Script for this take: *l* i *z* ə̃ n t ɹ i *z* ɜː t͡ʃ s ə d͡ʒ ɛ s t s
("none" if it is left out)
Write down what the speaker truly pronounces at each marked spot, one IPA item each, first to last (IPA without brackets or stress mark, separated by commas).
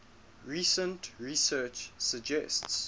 ɹ, s, s